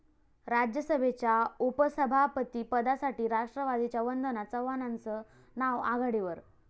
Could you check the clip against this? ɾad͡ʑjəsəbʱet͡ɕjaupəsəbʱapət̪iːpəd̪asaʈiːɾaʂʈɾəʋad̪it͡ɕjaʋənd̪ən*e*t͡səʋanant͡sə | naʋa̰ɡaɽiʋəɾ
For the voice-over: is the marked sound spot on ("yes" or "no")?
no